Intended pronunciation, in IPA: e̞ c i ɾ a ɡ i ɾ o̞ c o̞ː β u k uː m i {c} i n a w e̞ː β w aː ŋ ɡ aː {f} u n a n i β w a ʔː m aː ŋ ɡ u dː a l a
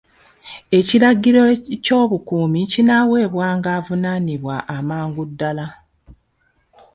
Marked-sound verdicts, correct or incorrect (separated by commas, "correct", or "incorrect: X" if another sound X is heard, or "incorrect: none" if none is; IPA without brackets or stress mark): correct, incorrect: v